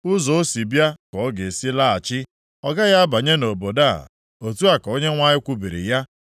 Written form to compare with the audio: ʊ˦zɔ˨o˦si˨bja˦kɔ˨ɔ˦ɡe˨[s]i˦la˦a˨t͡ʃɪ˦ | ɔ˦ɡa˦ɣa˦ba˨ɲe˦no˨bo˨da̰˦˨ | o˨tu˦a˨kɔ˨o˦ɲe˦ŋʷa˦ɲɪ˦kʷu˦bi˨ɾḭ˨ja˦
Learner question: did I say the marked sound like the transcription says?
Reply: yes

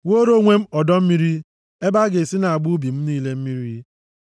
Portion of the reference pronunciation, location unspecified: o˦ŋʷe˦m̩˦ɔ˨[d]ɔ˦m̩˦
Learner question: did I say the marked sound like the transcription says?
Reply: yes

